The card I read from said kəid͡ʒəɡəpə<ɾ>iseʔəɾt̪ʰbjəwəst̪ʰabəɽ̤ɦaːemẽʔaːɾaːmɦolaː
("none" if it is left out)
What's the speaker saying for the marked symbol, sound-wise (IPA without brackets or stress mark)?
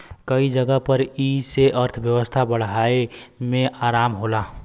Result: ɾ